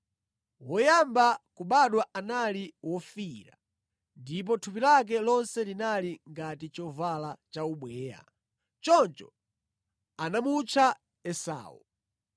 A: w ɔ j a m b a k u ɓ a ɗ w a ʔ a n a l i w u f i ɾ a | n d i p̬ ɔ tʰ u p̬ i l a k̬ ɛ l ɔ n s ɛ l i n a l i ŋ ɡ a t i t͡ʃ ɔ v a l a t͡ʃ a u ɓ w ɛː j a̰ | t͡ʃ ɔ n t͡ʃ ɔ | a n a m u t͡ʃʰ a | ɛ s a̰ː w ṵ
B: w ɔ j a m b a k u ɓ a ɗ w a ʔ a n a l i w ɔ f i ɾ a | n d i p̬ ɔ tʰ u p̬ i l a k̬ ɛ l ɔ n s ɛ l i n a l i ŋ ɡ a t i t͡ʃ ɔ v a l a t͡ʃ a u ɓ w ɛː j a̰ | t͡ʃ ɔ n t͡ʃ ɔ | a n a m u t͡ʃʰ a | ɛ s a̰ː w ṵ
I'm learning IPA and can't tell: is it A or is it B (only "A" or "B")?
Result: B